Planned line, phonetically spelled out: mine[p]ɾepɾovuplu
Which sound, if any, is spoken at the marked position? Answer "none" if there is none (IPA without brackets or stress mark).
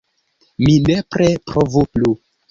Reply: p